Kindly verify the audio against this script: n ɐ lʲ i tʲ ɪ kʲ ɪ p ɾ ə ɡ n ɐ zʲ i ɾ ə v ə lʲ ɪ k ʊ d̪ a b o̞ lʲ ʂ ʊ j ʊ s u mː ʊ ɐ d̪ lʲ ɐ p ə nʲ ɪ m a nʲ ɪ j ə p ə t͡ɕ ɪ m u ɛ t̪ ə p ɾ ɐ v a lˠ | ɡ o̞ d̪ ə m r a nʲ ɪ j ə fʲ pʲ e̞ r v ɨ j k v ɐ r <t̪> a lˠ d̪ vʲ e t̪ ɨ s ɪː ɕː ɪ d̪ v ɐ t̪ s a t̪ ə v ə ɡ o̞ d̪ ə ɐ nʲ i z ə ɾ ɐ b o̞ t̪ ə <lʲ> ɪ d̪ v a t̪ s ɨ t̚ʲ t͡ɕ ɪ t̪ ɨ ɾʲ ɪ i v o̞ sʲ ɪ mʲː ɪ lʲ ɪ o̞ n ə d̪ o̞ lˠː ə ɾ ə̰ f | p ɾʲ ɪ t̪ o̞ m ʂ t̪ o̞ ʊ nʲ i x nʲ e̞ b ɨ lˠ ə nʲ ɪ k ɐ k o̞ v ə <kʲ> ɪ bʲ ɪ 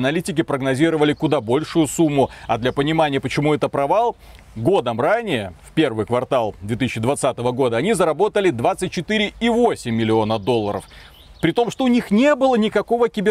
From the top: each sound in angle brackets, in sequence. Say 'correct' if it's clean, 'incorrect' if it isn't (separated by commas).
correct, correct, correct